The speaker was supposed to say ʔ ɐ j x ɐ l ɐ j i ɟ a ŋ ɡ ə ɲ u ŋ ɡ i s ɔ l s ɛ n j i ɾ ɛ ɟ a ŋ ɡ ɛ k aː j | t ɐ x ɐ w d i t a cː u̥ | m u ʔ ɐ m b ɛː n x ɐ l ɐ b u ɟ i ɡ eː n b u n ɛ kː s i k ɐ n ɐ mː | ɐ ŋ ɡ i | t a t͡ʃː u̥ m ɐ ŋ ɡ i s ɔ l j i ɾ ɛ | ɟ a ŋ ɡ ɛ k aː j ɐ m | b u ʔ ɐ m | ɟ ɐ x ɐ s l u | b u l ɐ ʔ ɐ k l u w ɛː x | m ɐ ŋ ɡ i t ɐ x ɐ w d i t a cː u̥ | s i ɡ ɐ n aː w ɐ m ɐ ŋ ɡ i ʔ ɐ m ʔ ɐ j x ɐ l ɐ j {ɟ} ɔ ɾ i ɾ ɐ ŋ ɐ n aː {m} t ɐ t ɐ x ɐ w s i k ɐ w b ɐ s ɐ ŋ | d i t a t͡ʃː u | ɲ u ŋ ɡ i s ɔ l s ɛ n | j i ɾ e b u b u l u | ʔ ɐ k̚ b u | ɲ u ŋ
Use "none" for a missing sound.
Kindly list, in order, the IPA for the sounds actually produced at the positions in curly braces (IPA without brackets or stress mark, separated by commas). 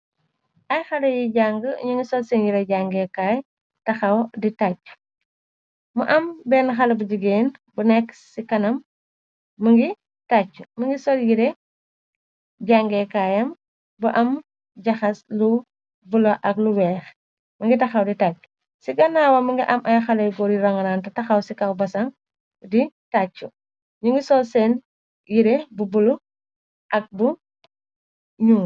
ɡ, n